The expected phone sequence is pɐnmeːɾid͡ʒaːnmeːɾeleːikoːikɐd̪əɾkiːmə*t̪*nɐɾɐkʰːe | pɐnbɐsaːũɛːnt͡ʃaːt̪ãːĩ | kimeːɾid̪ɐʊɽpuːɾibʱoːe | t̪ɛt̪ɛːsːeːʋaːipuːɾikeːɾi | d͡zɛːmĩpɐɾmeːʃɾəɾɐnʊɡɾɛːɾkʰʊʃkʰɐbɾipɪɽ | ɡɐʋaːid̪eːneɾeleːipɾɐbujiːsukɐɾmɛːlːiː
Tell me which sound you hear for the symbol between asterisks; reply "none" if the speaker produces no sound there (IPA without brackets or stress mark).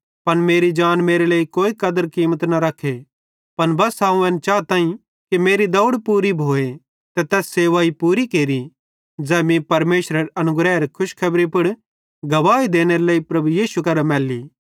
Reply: t̪